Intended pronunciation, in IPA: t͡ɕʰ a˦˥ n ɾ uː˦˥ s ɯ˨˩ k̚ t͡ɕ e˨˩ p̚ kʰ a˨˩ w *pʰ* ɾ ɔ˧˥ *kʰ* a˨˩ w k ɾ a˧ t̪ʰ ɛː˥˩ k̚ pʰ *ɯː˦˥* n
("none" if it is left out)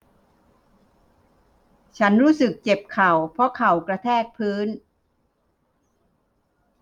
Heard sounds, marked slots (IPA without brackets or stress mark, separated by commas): pʰ, kʰ, ɯː˦˥